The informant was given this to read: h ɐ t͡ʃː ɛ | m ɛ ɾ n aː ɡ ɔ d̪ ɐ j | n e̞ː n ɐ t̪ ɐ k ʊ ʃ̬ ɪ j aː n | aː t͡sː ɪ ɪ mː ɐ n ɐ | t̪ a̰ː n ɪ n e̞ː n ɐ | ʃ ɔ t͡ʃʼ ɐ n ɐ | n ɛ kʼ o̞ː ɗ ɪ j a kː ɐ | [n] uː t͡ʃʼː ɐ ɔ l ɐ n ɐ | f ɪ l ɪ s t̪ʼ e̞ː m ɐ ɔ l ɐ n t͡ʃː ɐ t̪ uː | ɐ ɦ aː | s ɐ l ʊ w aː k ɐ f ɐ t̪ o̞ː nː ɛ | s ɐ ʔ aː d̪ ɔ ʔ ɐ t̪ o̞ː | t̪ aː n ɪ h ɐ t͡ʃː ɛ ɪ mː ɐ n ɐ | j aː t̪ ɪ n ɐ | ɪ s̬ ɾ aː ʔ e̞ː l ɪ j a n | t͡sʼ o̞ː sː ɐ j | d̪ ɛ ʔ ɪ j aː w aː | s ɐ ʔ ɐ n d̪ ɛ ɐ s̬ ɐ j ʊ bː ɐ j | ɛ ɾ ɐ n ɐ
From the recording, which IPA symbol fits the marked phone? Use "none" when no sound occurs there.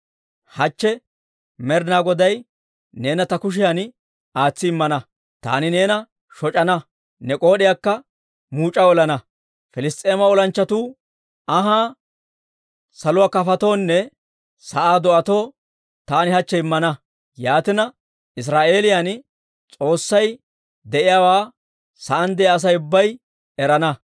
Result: m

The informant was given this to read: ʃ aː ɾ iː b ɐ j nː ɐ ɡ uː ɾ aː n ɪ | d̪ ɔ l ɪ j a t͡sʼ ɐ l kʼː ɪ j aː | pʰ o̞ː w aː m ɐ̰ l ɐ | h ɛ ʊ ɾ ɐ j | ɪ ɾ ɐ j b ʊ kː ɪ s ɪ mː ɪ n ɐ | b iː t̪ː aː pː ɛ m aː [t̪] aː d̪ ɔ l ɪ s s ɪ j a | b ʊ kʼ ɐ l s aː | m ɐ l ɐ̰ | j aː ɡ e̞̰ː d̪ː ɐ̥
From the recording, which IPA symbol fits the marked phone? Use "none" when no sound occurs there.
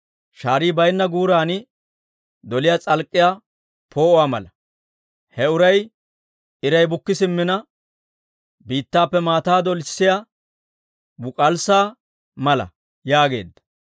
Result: t̪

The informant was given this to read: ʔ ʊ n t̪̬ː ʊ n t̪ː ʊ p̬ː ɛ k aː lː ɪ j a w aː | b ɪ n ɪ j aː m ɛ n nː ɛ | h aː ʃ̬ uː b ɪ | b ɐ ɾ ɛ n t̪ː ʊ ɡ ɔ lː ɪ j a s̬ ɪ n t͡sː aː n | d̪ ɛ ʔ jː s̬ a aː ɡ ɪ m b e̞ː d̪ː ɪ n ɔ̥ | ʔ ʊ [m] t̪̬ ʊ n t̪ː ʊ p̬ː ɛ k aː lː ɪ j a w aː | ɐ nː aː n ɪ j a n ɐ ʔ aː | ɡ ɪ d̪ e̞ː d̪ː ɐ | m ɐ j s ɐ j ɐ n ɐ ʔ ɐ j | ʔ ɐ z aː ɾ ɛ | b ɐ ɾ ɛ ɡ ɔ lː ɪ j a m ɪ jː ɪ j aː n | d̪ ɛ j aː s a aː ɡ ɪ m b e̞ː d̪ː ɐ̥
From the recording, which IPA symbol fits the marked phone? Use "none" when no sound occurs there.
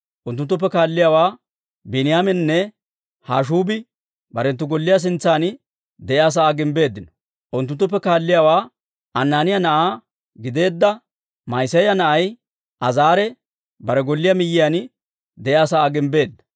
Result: n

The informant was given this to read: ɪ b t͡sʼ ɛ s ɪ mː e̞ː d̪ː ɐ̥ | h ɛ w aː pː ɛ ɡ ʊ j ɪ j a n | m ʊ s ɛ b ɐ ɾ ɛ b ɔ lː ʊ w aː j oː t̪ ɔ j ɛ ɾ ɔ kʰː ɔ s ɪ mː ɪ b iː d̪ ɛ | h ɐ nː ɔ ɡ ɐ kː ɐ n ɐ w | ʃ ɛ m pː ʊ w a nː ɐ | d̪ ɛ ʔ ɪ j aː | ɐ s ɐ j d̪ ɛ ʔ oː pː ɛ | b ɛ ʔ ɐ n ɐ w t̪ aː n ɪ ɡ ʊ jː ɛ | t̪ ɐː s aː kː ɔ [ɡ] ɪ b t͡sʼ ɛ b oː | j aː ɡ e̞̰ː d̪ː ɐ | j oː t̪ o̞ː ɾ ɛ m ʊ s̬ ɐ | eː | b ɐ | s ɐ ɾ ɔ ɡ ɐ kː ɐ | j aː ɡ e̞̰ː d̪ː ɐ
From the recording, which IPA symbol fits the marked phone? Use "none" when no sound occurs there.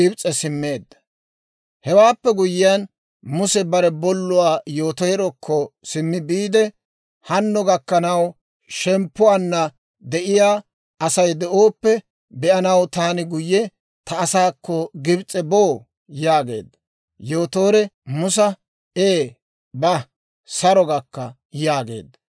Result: ɡ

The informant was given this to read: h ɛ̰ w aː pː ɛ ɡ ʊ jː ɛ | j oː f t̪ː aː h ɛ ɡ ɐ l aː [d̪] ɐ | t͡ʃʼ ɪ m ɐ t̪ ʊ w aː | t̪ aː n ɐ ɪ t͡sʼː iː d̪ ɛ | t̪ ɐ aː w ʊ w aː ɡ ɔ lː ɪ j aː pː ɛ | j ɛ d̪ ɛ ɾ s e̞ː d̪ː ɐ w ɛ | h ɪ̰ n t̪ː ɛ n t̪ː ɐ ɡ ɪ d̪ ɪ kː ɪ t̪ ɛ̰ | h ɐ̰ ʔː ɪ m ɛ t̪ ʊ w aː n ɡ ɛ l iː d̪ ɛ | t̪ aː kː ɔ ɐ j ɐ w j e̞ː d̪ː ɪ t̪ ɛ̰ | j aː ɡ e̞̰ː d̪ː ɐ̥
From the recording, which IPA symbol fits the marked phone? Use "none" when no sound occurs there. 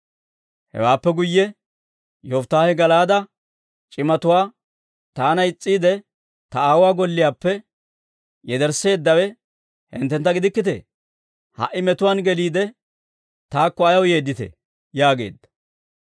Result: d̪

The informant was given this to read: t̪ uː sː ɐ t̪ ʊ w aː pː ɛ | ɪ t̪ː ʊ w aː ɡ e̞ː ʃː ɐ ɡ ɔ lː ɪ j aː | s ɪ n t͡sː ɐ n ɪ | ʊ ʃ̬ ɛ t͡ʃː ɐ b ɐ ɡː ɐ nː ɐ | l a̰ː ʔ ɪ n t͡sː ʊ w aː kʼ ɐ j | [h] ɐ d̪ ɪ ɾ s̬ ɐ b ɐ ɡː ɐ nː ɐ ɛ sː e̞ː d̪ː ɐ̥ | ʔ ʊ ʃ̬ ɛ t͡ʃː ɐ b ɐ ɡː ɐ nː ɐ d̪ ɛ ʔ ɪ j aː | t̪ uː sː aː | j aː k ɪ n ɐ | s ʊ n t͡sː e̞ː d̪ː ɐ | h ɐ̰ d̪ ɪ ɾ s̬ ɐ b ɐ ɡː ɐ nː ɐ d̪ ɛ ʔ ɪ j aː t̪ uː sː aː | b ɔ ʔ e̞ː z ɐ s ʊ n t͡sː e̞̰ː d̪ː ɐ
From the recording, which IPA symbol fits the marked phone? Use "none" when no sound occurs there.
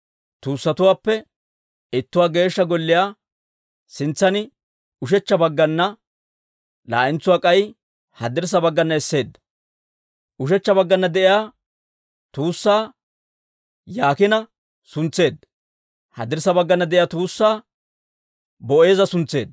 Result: h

